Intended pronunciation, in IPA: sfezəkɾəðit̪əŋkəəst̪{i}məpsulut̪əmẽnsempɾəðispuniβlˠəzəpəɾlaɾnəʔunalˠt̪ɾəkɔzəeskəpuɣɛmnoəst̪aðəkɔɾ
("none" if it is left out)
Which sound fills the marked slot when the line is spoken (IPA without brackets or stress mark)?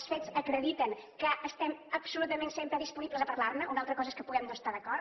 ɛ